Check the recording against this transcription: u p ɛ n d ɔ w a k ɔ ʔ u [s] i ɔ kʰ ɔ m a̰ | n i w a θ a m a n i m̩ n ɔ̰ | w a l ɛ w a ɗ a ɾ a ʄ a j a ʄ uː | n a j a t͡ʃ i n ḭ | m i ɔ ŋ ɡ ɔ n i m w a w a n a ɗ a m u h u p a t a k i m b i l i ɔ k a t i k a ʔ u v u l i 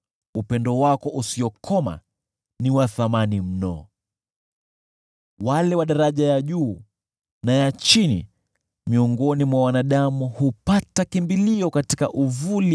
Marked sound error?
no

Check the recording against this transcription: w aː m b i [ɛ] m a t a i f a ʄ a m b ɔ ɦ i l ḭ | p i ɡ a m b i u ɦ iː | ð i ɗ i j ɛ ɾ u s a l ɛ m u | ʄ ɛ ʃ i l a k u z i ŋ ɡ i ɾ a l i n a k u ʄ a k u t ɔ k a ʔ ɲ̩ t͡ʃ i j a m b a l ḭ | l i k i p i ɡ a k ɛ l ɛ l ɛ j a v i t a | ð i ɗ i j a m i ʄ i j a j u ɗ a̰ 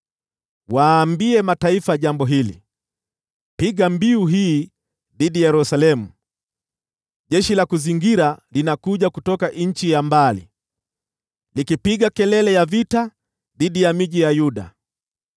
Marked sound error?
no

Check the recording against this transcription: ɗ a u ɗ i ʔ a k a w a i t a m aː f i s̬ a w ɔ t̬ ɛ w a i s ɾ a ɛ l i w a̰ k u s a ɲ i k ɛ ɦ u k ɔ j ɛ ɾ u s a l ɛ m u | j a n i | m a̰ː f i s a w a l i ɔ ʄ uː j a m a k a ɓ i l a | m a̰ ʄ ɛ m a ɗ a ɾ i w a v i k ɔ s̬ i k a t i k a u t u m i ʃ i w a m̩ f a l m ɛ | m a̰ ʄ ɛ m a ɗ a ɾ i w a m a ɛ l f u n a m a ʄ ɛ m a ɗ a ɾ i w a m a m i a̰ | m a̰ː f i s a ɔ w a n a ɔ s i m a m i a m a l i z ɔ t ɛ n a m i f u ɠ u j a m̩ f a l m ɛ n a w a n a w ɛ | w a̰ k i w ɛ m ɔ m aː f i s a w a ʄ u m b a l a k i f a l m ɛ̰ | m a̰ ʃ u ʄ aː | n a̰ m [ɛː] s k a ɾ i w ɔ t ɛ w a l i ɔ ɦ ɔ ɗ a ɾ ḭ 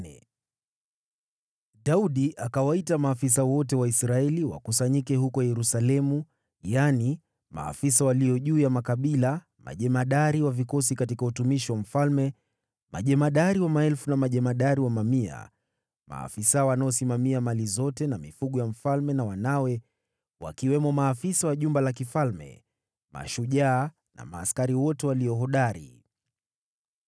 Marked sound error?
yes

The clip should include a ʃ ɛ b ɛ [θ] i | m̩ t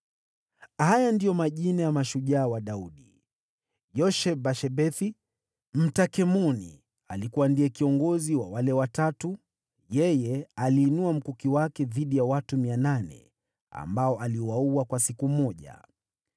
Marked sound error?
no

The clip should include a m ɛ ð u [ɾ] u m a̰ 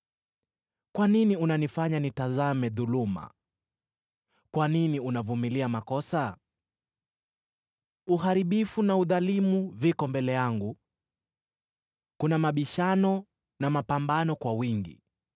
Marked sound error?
yes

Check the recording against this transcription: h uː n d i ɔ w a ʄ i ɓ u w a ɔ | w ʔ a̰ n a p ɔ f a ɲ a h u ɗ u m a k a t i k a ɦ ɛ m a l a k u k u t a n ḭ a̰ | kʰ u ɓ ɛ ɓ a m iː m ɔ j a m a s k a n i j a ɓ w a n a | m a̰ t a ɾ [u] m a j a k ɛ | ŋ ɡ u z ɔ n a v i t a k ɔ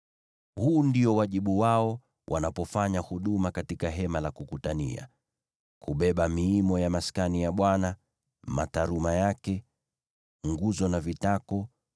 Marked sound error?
no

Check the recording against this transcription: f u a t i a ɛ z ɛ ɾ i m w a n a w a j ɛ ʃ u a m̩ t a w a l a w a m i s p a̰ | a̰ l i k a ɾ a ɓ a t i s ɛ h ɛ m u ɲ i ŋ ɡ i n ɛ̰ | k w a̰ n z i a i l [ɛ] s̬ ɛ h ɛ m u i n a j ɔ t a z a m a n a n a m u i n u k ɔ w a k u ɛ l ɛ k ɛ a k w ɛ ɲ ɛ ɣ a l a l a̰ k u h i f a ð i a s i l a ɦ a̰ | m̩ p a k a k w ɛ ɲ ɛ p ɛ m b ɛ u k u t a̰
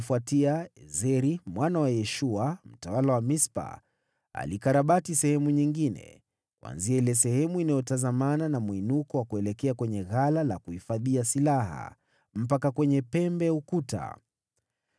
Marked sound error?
no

